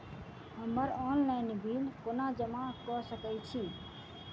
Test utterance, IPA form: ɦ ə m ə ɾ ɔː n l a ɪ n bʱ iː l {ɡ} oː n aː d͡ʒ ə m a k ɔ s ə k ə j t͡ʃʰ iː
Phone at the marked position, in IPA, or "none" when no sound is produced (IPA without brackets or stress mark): k